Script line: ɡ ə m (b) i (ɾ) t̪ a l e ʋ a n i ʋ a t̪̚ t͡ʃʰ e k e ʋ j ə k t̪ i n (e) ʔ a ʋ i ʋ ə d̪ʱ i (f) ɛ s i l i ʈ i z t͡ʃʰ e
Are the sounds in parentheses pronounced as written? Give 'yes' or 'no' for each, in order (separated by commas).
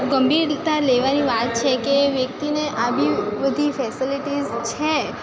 yes, yes, yes, yes